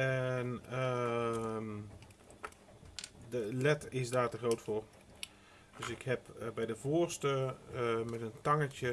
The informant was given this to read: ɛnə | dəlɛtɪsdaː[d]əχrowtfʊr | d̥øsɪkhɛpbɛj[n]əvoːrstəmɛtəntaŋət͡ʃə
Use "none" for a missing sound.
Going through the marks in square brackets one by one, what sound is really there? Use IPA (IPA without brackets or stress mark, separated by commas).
t, d